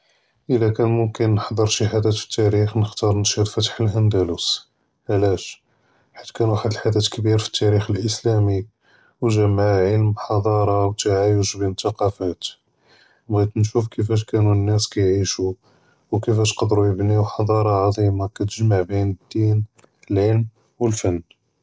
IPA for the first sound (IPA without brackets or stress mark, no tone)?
ʔ